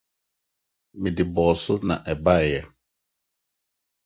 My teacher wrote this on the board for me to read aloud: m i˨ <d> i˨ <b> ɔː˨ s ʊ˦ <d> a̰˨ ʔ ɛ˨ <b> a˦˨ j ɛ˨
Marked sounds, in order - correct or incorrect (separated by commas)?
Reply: correct, correct, incorrect, correct